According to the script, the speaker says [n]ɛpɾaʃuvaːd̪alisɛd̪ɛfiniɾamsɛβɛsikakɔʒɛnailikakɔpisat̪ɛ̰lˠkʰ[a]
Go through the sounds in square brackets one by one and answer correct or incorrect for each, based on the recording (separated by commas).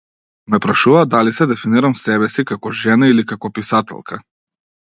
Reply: incorrect, correct